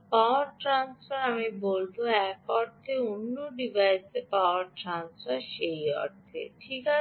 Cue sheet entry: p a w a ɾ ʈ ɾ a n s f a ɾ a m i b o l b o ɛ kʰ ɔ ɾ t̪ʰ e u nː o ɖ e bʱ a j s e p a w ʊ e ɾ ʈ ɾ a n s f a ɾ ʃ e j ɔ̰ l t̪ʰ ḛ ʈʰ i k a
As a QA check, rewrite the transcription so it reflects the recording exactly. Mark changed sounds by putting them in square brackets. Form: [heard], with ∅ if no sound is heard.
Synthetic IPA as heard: p a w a ɾ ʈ ɾ a n s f a ɾ a m i b o l b o ɛ [k] ɔ ɾ t̪ʰ e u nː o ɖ [i] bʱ a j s e p a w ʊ [a] ɾ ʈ ɾ a n s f a ɾ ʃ e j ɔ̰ [ɾ] t̪ʰ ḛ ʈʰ i k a